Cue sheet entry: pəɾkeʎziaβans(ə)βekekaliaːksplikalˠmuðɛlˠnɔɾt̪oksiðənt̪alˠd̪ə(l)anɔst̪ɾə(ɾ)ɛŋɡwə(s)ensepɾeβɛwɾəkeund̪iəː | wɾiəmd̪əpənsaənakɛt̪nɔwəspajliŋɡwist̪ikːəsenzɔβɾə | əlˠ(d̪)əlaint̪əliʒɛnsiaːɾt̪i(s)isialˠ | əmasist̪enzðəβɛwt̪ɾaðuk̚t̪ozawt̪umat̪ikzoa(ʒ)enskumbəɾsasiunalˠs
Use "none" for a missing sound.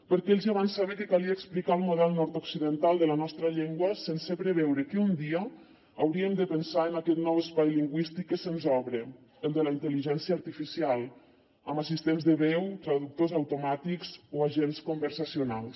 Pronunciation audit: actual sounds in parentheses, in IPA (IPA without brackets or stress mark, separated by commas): a, l, ʎ, s, d̪, f, ʒ